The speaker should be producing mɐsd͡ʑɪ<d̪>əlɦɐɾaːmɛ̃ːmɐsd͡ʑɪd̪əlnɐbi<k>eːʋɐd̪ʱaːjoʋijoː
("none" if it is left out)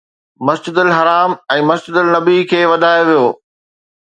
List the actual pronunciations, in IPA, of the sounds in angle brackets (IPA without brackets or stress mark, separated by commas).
d̪, kʰ